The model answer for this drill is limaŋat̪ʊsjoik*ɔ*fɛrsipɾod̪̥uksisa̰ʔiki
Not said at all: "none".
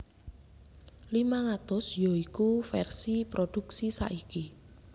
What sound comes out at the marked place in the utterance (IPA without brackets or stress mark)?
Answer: u